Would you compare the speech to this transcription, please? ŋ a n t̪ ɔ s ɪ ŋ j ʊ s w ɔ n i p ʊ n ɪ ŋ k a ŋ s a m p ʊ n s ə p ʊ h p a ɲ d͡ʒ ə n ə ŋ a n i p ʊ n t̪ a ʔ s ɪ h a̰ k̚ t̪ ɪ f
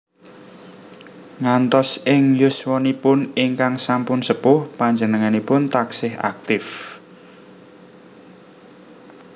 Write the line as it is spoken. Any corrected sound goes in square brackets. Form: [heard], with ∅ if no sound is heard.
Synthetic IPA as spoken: ŋ a n t̪ ɔ s ɪ ŋ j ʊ s w ɔ n i p ʊ n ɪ ŋ k a ŋ s a m p ʊ n s ə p ʊ h p a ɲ d͡ʒ ə n ə ŋ a n i p ʊ n t̪ a [k] s ɪ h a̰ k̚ t̪ ɪ f